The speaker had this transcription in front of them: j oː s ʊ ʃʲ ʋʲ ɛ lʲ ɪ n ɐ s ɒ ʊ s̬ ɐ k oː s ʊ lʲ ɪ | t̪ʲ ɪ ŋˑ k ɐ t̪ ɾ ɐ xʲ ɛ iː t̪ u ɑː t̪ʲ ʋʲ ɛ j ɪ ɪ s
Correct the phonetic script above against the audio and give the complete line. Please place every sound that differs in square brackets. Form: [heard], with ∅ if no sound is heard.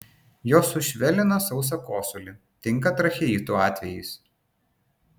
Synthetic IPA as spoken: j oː s ʊ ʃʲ ʋʲ ɛ lʲ ɪ n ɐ s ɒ ʊ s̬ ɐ k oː s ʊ lʲ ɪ | t̪ʲ ɪ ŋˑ k ɐ t̪ ɾ ɐ xʲ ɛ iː t̪ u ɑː t̪ʲ ʋʲ ɛ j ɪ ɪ s